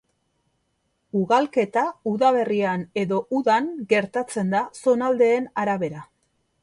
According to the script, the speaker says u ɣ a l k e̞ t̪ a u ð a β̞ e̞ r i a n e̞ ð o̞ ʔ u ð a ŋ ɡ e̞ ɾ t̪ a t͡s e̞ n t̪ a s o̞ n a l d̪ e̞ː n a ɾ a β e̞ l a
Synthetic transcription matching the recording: u ɣ a l k e̞ t̪ a u ð a β̞ e̞ r i a n e̞ ð o̞ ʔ u ð a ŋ ɡ e̞ ɾ t̪ a t͡s e̞ n d̪ a s o̞ n a l d̪ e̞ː n a ɾ a β e̞ ɾ a

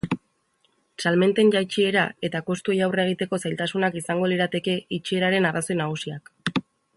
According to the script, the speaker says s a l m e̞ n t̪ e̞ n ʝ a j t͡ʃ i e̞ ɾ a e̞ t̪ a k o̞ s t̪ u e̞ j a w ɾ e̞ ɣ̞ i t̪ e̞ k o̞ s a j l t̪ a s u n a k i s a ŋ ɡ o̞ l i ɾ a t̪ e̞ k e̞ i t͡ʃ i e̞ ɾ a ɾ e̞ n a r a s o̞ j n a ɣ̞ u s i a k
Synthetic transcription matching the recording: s a l m e̞ n t̪ e̞ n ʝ a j t͡ʃ i e̞ ɾ a e̞ t̪ a k o̞ s t̪ u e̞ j a w r e̞ ɣ̞ i t̪ e̞ k o̞ s a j l t̪ a s u n a k i s a ŋ ɡ o̞ l i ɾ a t̪ e̞ k e̞ i t͡ʃ i e̞ ɾ a ɾ e̞ n a r a s o̞ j n a ɣ̞ u s i a k

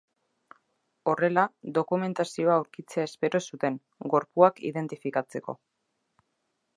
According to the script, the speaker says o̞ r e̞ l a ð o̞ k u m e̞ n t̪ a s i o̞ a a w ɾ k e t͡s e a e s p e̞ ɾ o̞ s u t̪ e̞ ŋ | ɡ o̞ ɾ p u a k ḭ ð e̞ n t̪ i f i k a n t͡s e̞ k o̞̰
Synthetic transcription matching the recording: o̞ r e̞ l a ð o̞ k u m e̞ n t̪ a s i o̞ a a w ɾ k i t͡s e a e s p e̞ ɾ o̞ s u t̪ e̞ ŋ | ɡ o̞ ɾ p u a k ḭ ð e̞ n t̪ i f i k a t͡s e̞ k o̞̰

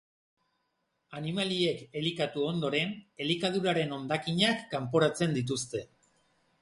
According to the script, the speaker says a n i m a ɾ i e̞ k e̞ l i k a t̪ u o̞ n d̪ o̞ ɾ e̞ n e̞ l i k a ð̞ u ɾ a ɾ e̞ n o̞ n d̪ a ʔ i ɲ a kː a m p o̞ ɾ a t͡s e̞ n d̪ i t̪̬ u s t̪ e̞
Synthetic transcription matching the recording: a n i m a l i e̞ k e̞ l i k a t̪ u o̞ n d̪ o̞ ɾ e̞ n e̞ l i k a ð̞ u ɾ a ɾ e̞ n o̞ n d̪ a k i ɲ a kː a m p o̞ ɾ a t͡s e̞ n d̪ i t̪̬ u s t̪ e̞

